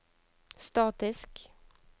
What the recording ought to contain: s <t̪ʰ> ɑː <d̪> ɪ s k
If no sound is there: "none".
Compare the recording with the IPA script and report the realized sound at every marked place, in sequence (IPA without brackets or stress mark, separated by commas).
t̪, t̪